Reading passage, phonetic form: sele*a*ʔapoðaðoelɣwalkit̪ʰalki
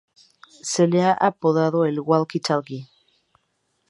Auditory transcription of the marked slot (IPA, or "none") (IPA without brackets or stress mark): a